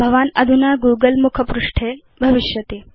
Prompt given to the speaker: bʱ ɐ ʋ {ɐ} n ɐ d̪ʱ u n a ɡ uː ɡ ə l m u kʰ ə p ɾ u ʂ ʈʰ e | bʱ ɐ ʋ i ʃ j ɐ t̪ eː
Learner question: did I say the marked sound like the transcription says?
no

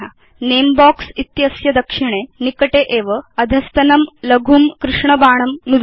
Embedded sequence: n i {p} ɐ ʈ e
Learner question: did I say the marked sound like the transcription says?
no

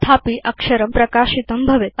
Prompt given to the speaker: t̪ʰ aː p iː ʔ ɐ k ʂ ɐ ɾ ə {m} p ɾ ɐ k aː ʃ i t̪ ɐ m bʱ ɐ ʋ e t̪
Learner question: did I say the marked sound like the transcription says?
yes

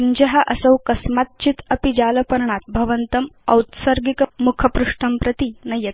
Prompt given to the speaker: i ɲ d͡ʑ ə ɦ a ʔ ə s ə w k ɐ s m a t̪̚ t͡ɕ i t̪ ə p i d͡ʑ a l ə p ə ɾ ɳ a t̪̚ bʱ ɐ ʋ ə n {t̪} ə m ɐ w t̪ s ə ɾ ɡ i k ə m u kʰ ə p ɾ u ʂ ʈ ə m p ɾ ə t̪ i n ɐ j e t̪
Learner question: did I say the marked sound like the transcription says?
yes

